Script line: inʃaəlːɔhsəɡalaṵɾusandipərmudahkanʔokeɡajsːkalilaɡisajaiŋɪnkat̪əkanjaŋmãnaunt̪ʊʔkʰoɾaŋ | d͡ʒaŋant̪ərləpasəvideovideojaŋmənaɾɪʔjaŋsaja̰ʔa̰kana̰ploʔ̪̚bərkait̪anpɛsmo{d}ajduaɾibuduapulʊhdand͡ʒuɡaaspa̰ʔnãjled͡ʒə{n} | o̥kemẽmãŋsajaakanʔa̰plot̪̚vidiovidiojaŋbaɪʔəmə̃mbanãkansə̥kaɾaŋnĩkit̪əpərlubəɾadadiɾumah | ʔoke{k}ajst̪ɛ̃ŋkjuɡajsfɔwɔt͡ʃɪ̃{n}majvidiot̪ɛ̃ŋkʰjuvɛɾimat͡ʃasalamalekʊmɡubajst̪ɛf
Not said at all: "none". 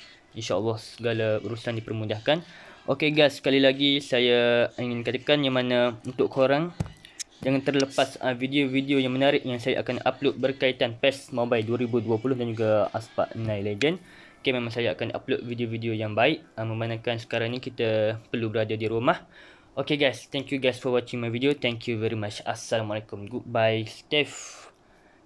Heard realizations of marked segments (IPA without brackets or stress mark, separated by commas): b, n, ɡ, ŋ